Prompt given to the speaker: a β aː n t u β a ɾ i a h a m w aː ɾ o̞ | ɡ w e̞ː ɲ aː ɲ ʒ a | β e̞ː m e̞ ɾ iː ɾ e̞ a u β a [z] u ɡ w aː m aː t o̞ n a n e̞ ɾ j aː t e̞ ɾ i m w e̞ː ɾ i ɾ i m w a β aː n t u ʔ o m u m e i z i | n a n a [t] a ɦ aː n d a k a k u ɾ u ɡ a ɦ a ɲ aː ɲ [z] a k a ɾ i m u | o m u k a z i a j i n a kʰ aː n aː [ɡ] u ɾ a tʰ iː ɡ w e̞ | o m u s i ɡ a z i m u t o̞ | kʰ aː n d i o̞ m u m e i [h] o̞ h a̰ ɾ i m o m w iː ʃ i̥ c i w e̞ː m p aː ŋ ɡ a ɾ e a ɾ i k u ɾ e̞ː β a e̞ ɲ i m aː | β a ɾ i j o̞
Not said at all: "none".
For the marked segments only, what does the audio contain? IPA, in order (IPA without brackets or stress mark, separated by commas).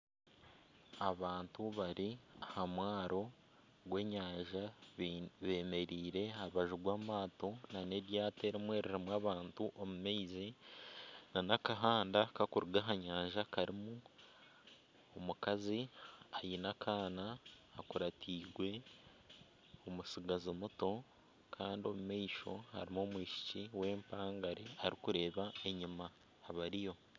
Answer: ʒ, k, ʒ, k, ʃ